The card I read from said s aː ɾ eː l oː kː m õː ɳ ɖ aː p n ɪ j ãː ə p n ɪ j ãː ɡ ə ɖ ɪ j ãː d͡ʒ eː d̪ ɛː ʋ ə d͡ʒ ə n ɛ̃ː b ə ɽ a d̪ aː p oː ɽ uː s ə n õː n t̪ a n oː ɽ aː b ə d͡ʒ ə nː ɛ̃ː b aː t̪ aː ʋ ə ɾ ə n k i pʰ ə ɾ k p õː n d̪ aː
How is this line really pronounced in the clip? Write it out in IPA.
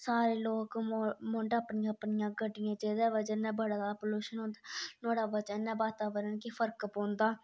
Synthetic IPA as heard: s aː ɾ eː l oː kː m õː ɳ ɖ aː p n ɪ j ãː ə p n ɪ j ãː ɡ ə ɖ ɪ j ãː d͡ʒ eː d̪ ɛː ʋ ə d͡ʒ ə n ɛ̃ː b ə ɽ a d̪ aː p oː l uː ʃ ə n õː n d̪ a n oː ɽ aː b ə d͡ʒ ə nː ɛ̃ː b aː t̪ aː ʋ ə ɾ ə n k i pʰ ə ɾ k p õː n d̪ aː